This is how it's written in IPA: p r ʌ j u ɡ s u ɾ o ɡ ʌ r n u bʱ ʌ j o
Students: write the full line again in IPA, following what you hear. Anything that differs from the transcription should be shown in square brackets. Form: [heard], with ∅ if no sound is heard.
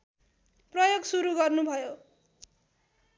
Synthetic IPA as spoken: p r ʌ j [o] ɡ s u ɾ [u] ɡ ʌ r n u bʱ ʌ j o